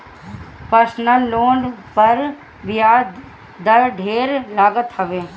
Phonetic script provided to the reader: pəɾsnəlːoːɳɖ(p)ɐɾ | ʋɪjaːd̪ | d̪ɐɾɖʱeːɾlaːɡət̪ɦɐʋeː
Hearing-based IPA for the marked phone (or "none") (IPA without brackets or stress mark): p